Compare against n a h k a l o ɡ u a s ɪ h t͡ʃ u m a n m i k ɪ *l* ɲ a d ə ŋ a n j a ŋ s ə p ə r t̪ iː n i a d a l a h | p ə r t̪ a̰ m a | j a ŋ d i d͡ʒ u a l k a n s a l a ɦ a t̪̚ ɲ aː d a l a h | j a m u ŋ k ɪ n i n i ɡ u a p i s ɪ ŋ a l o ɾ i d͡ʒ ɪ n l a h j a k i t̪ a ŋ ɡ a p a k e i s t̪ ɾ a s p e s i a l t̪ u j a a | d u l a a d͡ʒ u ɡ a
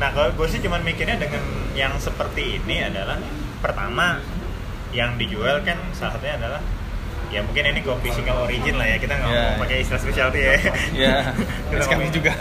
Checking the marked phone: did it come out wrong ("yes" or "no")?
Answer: yes